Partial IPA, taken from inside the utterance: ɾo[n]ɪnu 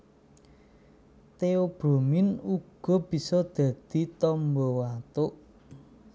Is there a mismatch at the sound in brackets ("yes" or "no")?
yes